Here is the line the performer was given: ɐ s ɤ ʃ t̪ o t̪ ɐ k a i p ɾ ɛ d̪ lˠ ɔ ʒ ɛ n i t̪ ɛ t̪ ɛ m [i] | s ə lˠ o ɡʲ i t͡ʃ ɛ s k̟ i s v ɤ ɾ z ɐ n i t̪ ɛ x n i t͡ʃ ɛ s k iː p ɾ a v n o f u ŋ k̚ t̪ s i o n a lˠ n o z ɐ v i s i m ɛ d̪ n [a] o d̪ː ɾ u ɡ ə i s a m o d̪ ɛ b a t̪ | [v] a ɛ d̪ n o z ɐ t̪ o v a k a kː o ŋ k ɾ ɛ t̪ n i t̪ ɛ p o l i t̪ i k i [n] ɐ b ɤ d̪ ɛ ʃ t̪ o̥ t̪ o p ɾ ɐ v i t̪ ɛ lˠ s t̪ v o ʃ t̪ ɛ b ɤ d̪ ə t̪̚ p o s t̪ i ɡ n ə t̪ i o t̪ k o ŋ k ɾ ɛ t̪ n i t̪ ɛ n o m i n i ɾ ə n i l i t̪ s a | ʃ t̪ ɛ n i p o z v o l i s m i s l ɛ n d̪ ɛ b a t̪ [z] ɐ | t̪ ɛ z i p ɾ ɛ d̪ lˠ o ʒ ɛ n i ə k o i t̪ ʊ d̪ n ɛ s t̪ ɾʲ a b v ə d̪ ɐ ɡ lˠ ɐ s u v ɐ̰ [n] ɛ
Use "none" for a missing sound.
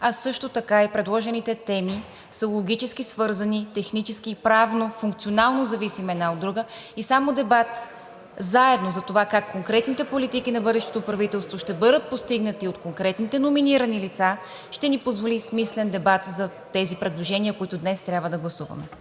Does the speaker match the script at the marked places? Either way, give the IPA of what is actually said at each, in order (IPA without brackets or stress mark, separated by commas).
i, a, z, n, z, m